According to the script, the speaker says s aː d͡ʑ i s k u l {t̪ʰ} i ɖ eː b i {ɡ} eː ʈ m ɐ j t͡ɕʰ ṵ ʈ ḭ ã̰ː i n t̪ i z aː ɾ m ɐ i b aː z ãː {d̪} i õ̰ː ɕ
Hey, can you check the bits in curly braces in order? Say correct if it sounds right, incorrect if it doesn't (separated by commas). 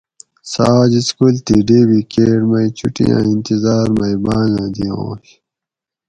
incorrect, incorrect, correct